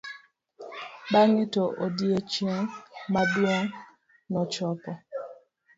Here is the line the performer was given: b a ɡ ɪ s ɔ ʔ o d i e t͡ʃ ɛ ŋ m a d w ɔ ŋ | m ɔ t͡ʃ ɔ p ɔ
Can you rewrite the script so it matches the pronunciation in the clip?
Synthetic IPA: b a ŋ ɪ t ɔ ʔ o d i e t͡ʃ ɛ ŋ m a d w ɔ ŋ | n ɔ t͡ʃ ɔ p ɔ